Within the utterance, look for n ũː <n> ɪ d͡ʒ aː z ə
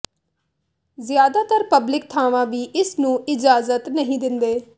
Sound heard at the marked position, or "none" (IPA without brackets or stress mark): none